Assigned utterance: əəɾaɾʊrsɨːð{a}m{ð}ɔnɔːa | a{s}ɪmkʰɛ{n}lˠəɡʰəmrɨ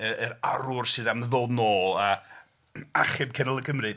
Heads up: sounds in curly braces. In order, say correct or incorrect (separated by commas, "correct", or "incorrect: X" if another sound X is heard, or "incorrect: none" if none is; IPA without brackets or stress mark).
correct, correct, incorrect: χ, correct